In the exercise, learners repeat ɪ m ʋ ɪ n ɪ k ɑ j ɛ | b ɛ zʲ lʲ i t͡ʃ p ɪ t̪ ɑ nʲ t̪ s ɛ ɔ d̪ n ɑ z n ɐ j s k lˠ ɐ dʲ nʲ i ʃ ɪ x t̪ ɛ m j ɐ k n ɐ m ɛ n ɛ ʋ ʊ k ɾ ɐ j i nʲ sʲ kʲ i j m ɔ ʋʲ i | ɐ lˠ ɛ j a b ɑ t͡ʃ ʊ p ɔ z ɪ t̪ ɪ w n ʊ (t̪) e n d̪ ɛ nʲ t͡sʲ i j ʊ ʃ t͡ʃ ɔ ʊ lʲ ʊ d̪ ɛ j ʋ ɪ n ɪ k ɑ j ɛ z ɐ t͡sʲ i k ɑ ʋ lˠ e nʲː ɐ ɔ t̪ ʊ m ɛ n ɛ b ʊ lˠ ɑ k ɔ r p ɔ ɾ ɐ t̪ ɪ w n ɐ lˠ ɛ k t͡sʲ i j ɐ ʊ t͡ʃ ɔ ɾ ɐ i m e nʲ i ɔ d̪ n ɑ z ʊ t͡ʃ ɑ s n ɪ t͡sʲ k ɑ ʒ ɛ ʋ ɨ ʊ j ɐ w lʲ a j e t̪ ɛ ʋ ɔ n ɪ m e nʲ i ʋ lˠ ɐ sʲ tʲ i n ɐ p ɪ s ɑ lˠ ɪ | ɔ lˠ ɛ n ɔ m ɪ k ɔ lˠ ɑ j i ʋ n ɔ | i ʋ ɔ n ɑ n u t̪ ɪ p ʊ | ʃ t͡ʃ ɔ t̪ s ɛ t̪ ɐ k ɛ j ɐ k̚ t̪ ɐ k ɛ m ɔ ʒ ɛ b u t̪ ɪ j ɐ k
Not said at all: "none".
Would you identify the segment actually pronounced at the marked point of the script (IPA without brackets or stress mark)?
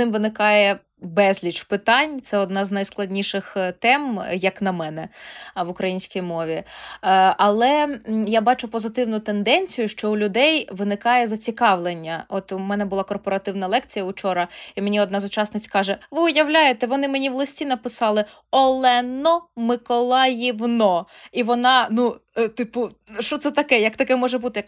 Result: t̪